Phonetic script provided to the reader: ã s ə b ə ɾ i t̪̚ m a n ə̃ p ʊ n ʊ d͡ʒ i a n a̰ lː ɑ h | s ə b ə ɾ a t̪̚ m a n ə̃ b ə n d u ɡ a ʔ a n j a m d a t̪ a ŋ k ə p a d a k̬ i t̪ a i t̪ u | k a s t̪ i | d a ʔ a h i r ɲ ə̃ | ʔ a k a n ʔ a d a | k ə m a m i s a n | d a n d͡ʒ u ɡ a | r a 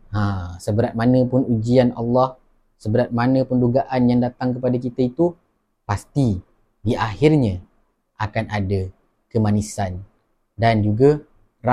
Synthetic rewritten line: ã s ə b ə ɾ a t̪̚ m a n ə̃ p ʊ n u d͡ʒ i a n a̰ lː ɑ h | s ə b ə ɾ a t̪̚ m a n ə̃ p ə n d u ɡ a ʔ a n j a ŋ d a t̪ a ŋ k ə p a d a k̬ i t̪ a i t̪ u | p a s t̪ i | d i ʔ a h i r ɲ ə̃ | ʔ a k a n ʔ a d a | k ə m a n i s a n | d a n d͡ʒ u ɡ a | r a